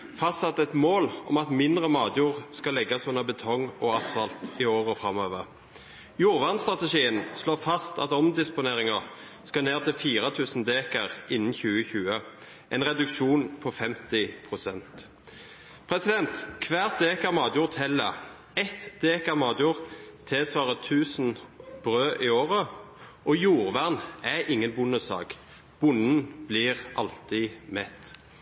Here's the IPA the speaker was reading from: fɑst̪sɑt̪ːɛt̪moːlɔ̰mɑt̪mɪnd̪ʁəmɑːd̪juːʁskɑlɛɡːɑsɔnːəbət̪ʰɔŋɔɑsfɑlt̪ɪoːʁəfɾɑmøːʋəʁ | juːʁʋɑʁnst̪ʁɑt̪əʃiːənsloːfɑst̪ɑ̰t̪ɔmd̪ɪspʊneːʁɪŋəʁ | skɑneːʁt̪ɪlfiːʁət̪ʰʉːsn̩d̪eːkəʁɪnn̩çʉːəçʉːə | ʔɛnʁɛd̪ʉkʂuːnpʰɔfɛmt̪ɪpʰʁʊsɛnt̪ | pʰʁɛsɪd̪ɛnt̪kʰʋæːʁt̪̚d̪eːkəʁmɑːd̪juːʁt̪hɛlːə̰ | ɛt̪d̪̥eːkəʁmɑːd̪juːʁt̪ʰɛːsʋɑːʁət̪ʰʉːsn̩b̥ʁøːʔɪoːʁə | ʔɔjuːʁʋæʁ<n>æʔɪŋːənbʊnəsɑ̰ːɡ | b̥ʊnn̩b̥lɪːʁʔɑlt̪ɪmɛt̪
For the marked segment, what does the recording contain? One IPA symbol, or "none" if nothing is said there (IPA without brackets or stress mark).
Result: n